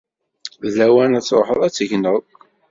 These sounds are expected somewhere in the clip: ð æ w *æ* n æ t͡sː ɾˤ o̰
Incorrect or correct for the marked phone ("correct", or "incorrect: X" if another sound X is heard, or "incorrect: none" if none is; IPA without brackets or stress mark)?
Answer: correct